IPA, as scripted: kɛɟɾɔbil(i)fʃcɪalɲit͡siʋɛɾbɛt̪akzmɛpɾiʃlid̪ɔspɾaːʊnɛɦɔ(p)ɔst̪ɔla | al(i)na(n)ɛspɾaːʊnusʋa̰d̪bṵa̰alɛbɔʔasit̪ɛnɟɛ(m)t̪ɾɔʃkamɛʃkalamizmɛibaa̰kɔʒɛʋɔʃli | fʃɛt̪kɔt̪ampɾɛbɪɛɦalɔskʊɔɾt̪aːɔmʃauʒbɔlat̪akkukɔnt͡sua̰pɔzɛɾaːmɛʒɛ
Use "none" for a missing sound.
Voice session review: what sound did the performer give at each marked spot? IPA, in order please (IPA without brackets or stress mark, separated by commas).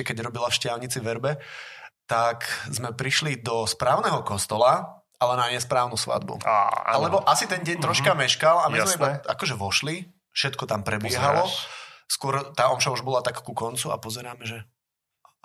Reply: a, k, ɛ, ɲ, ɲ